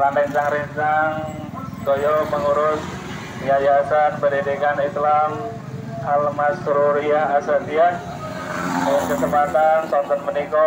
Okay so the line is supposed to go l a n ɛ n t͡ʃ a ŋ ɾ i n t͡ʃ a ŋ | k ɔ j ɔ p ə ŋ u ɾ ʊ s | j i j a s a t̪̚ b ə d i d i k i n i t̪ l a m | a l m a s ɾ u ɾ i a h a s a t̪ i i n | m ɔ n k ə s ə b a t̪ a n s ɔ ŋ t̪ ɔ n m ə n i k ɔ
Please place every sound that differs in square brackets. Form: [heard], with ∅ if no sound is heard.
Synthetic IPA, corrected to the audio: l a n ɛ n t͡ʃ a ŋ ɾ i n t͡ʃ a ŋ | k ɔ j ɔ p ə ŋ u ɾ ʊ s | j [a] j a s a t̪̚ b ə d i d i k [a] n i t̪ l a m | a l m a s ɾ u ɾ i a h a s a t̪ i [a] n | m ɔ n k ə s ə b a t̪ a n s ɔ [n] t̪ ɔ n m ə n i k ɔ

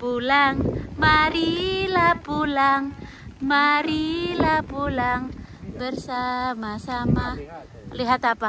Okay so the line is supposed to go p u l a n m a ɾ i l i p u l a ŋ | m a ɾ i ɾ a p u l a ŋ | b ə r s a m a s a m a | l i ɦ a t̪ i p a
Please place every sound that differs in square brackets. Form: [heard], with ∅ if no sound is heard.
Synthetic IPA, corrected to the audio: p u l a [ŋ] m a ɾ i l [a] p u l a ŋ | m a ɾ i [l] a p u l a ŋ | b ə r s a m a s a m a | l i ɦ a t̪ [a] p a

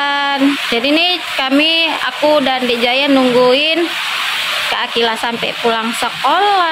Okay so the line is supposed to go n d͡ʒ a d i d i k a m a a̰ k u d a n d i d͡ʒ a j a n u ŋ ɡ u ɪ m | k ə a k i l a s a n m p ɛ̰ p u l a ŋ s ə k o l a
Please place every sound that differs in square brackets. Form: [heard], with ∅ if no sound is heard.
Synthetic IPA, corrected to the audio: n d͡ʒ a d i [n] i k a m [i] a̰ k u d a n d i d͡ʒ a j a n u ŋ ɡ u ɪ [n] | k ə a k i l a s a [∅] m p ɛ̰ p u l a ŋ s ə k o l a

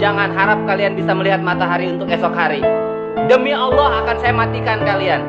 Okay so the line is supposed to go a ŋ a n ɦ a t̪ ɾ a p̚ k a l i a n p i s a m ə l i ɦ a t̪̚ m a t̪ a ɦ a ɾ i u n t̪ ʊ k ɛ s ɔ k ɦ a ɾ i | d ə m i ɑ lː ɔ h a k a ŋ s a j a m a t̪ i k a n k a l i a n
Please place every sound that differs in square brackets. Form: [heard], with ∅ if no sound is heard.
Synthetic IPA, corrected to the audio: a ŋ a n ɦ a [∅] ɾ a p̚ k a l i a n [b] i s a m ə l i ɦ a t̪̚ m a t̪ a ɦ a ɾ i u n t̪ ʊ k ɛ s ɔ k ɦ a ɾ i | d ə m i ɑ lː ɔ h a k a [n] s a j a m a t̪ i k a n k a l i a n

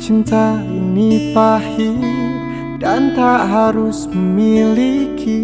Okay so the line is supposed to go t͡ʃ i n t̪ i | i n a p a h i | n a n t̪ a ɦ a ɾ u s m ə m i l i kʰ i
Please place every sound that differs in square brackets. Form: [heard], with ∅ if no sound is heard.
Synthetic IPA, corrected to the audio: t͡ʃ i n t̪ [a] | i n [i] p a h i | [d] a n t̪ a ɦ a ɾ u s m ə m i l i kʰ i

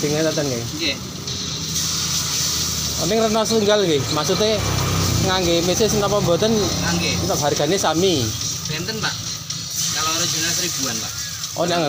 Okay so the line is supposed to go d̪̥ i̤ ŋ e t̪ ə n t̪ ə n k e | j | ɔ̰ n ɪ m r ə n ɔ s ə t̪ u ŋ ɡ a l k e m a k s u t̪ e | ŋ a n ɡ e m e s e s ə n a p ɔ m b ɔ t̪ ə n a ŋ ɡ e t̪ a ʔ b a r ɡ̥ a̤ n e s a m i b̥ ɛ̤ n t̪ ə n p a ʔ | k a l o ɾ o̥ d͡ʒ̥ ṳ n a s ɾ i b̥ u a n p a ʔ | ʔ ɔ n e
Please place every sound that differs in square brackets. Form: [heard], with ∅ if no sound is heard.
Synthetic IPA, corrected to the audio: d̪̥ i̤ ŋ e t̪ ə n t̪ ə n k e | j | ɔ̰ n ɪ [ŋ] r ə n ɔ s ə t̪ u ŋ ɡ a l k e m a k s u t̪ e | ŋ a [ŋ] ɡ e m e s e s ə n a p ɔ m b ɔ t̪ ə n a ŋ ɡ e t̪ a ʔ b a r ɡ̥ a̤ n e s a m i b̥ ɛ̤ n t̪ ə n p a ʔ | k a l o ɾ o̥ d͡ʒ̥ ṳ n a s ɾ i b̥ u a n p a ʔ | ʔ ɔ n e

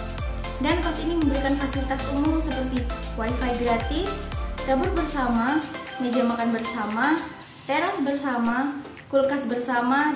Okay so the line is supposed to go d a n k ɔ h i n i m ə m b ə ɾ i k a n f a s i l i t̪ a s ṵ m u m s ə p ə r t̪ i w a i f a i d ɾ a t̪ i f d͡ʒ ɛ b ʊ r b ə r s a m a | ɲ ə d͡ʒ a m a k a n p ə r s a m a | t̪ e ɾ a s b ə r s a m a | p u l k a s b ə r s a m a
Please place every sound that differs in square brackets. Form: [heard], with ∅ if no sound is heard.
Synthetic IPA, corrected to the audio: d a n k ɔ [s] i n i m ə m b ə ɾ i k a n f a s i l i t̪ a s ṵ m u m s ə p ə r t̪ i w a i f a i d ɾ a t̪ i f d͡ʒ [a] b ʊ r b ə r s a m a | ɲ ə d͡ʒ a m a k a n [b] ə r s a m a | t̪ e ɾ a s b ə r s a m a | [k] u l k a s b ə r s a m a

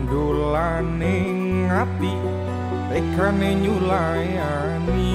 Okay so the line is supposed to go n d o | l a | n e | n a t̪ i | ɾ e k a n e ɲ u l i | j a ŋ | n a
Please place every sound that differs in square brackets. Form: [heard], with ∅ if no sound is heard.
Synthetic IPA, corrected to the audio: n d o | l a | n e | [ŋ] a t̪ i | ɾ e k a n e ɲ u l [a] | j a [∅] | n [i]

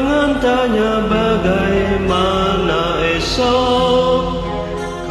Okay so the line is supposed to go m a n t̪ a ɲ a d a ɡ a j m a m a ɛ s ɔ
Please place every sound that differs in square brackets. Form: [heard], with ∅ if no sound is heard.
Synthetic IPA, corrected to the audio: [ŋ] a n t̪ a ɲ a [b] a ɡ a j m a [n] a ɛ s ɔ

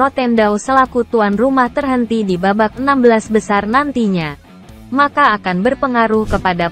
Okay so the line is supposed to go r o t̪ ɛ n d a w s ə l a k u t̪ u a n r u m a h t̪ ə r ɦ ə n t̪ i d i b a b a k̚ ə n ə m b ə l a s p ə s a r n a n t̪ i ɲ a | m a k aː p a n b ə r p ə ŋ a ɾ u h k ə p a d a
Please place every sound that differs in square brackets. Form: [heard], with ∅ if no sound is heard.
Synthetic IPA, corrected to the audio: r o t̪ ɛ n d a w s ə l a k u t̪ u a n r u m a h t̪ ə r ɦ ə n t̪ i d i b a b a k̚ ə n [a] m b ə l a s [b] ə s a r n a n t̪ i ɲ a | m a k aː [k] a n b ə r p ə ŋ a ɾ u h k ə p a d a

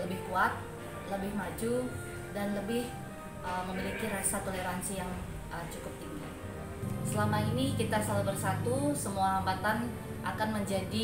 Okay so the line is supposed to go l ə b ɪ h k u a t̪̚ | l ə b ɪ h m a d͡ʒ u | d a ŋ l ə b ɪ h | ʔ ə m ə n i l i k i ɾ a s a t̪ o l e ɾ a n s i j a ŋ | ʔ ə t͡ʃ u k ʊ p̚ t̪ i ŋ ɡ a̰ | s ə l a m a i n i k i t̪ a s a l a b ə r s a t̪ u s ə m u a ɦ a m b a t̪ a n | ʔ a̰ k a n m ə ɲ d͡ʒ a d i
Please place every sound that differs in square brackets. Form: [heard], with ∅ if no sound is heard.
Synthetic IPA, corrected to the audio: l ə b ɪ h k u a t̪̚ | l ə b ɪ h m a d͡ʒ u | d a [n] l ə b ɪ h | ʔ ə m ə [m] i l i k i ɾ a s a t̪ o l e ɾ a n s i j a ŋ | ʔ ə t͡ʃ u k ʊ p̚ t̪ i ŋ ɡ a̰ | s ə l a m a i n i k i t̪ a s a l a b ə r s a t̪ u s ə m u a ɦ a m b a t̪ a n | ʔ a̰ k a n m ə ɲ d͡ʒ a d i

